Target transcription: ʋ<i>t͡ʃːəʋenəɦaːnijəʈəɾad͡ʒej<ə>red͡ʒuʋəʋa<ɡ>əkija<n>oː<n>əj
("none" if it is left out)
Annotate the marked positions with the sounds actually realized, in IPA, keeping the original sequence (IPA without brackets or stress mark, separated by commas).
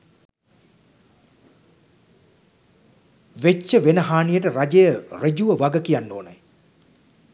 e, ə, ɡ, nː, n